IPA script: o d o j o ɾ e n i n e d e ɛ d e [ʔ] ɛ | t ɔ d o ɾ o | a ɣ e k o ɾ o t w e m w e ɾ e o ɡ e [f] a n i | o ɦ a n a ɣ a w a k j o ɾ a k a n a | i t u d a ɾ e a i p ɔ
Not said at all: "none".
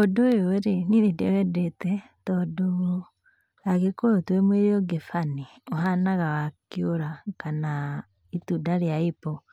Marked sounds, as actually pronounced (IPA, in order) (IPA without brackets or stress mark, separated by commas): t, f